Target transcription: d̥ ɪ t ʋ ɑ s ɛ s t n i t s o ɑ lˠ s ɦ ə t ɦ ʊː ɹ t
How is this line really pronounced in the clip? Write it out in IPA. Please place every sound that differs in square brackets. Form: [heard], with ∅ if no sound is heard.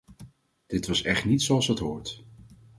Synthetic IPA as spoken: d̥ ɪ t ʋ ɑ s ɛ [χ] t n i t s o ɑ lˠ s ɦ ə t ɦ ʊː ɹ t